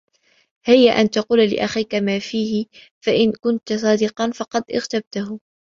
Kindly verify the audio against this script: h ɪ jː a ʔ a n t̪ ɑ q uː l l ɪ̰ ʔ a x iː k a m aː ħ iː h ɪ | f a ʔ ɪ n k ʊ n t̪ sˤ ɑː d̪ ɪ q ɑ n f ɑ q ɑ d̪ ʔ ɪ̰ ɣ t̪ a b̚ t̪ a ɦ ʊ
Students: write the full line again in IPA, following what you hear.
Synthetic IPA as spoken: h ɪ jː a ʔ a n t̪ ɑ q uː l l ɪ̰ ʔ a x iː k a m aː f iː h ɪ | f a ʔ ɪ n k ʊ n t̪ sˤ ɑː d̪ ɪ q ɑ n f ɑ q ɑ d̪ ʔ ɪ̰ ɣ t̪ a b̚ t̪ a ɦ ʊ